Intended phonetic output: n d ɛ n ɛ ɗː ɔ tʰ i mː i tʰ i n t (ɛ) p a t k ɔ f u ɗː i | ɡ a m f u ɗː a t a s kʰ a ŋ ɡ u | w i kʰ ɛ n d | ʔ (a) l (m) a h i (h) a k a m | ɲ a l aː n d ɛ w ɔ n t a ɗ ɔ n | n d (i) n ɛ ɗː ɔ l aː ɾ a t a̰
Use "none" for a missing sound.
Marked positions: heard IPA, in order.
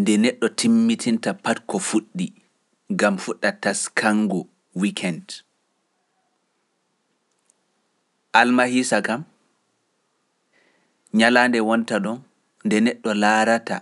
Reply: a, a, m, s, ɛ

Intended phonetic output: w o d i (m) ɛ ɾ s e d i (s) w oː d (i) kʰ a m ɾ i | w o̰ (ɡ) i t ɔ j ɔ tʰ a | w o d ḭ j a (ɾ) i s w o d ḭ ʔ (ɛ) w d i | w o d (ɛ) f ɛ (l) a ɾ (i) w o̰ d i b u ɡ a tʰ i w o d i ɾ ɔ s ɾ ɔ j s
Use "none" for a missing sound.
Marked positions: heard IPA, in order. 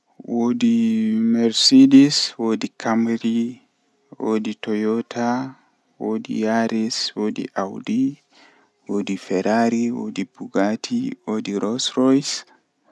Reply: m, s, i, d, ɾ, a, i, ɾ, i

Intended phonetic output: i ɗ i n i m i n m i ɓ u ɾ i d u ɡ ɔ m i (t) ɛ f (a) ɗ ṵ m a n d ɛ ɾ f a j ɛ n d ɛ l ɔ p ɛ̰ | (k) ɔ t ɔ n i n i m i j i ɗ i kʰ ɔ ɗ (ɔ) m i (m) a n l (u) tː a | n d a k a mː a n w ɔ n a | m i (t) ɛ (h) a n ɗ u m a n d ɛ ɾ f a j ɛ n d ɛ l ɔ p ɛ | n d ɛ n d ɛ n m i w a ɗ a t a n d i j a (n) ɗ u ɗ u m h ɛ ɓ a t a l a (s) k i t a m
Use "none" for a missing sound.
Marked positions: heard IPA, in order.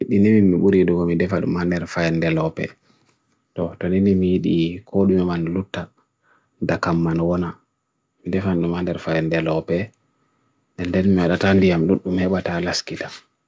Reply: d, a, t, u, m, u, d, f, m, s

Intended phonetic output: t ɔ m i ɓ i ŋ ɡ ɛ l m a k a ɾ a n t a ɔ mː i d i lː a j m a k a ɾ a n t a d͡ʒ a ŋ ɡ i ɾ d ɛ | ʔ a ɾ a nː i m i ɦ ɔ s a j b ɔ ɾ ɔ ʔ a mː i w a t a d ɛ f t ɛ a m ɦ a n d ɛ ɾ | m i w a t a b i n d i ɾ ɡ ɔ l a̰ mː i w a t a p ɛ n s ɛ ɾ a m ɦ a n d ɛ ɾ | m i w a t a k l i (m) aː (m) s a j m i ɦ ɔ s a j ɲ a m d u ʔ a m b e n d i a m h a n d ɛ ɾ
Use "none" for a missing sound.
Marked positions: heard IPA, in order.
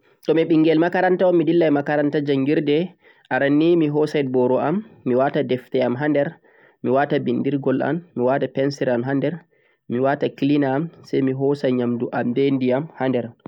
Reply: n, m

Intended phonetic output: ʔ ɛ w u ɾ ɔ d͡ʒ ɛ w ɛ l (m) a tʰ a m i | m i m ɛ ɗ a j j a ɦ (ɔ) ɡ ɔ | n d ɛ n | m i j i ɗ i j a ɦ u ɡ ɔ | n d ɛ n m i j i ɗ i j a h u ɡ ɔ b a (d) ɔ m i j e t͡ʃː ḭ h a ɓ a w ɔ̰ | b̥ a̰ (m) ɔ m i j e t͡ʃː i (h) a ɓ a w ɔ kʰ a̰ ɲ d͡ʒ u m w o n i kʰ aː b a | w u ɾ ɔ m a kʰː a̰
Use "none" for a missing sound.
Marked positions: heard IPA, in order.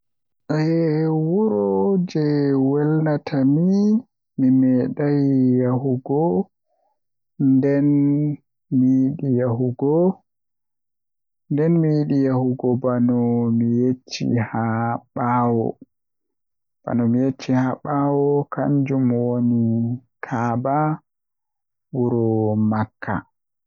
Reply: n, u, n, n, h

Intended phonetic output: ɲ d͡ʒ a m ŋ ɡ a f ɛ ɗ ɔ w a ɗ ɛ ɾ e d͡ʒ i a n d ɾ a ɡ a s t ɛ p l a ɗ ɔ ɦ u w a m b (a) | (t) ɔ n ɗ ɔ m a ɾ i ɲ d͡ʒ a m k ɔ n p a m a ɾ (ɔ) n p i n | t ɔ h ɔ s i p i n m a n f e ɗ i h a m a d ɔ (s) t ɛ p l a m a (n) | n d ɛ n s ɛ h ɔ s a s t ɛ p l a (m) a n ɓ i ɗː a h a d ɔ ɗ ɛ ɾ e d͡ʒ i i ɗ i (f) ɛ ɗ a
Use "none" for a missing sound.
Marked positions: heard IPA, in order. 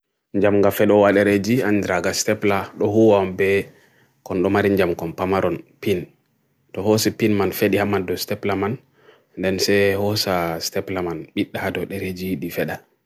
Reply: ɛ, k, ɔ, s, n, m, f

